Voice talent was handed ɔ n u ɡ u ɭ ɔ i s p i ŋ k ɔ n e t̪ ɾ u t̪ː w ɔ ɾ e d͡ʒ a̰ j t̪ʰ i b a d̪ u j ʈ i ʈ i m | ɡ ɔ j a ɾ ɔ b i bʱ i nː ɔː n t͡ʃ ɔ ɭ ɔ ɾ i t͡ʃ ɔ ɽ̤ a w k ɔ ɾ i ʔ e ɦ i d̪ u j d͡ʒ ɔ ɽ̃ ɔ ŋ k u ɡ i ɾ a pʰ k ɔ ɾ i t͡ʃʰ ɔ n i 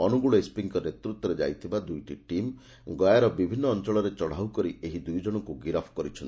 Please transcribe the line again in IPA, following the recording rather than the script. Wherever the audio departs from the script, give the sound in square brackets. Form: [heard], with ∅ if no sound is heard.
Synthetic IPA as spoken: ɔ n u ɡ u ɭ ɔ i s p i ŋ k ɔ n e t̪ ɾ u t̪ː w ɔ ɾ e d͡ʒ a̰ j t̪ʰ i b a d̪ u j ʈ i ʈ i m | ɡ ɔ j a ɾ ɔ b i bʱ i nː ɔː n t͡ʃ ɔ ɭ ɔ ɾ [e] t͡ʃ ɔ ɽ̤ a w k ɔ ɾ i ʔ e ɦ i d̪ u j d͡ʒ ɔ ɽ̃ ɔ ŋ k u ɡ i ɾ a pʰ k ɔ ɾ i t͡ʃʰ ɔ n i